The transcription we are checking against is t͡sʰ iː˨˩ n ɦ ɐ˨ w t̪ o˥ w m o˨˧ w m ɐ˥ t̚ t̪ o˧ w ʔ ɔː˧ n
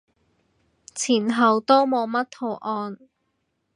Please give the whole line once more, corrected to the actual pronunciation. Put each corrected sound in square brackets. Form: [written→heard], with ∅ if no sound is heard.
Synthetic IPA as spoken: t͡sʰ iː˨˩ n ɦ ɐ˨ w t̪ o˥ w m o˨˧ w m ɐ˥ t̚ [t̪→t̪ʰ] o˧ w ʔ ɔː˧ n